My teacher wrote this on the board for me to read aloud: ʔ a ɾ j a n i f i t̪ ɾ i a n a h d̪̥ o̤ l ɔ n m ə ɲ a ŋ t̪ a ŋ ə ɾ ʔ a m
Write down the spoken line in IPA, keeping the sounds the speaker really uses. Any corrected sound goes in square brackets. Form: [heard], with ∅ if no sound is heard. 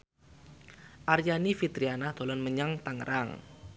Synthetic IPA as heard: ʔ a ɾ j a n i f i t̪ ɾ i a n a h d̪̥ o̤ l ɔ n m ə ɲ a ŋ t̪ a ŋ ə ɾ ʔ a [ŋ]